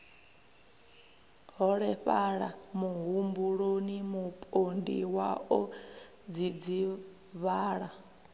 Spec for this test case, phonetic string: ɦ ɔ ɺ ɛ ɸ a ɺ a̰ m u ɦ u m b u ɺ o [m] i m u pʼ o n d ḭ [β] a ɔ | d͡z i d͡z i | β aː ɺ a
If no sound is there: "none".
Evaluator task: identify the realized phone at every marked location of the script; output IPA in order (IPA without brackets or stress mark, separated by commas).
n, w